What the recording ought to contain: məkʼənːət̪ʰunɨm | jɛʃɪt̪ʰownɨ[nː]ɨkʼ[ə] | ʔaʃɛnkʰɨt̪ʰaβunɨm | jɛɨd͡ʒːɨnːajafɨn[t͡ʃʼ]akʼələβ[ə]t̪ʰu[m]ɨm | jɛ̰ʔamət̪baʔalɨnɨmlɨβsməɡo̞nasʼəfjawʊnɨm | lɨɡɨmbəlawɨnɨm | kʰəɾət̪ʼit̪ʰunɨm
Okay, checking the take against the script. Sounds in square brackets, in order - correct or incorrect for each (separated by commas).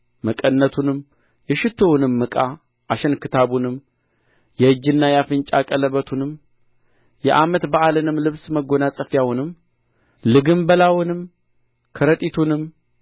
incorrect, incorrect, correct, correct, incorrect